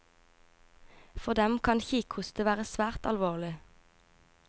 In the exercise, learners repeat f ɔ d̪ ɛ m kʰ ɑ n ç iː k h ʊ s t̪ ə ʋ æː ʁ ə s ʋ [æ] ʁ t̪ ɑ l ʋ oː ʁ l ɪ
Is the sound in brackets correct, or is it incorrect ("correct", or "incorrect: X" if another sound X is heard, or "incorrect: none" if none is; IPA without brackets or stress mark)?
incorrect: æː